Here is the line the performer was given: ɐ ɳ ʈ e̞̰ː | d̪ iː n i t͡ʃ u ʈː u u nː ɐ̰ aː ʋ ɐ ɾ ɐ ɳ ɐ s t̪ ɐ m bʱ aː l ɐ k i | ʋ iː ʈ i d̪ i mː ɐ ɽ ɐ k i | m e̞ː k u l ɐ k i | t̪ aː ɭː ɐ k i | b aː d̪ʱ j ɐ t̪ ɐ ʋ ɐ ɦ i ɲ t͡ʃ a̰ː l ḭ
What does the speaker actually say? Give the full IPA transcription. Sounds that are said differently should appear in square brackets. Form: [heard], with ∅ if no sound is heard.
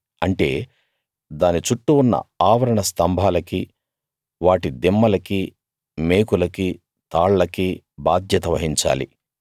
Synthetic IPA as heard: ɐ ɳ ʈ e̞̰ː | d̪ [aː] n i t͡ʃ u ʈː u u nː ɐ̰ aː ʋ ɐ ɾ ɐ ɳ ɐ s t̪ ɐ m bʱ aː l ɐ k i | ʋ [aː] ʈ i d̪ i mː ɐ [l] ɐ k i | m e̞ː k u l ɐ k i | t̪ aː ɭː ɐ k i | b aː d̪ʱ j ɐ t̪ ɐ ʋ ɐ ɦ i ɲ t͡ʃ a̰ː l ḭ